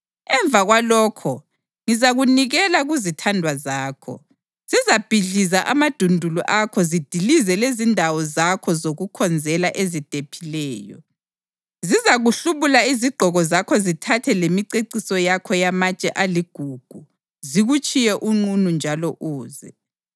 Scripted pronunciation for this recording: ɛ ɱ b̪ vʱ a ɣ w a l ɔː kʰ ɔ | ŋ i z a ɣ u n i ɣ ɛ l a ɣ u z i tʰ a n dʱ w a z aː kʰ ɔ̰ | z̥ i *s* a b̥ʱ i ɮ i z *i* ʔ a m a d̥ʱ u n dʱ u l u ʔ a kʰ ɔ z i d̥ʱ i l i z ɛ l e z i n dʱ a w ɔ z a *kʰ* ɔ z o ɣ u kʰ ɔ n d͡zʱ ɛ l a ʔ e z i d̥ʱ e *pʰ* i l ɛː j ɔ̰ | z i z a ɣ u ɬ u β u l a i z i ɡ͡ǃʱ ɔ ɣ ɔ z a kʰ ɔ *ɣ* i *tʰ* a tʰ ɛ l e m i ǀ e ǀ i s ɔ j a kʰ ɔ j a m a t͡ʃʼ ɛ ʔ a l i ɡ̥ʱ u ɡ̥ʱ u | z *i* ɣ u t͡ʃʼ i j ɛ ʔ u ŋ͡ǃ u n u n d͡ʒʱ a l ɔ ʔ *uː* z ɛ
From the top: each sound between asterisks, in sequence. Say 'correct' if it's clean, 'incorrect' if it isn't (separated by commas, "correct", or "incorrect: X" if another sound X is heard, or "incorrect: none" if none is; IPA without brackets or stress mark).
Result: incorrect: z, incorrect: a, correct, correct, incorrect: z, correct, correct, correct